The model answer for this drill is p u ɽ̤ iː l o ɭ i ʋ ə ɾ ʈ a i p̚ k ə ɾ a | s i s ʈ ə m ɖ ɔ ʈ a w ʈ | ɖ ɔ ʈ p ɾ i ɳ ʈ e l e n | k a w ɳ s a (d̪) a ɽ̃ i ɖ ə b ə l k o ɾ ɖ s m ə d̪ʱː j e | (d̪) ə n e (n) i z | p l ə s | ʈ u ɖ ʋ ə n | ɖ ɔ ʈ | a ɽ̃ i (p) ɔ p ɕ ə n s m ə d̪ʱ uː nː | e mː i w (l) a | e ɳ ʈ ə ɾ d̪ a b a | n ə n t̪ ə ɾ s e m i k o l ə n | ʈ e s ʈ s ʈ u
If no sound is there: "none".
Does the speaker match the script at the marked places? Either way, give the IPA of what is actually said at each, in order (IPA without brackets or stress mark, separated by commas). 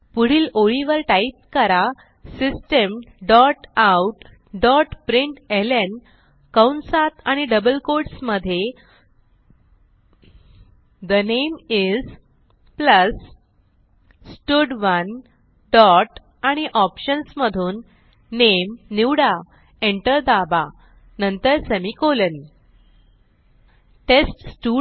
t̪, d̪, m, ʔ, ɽ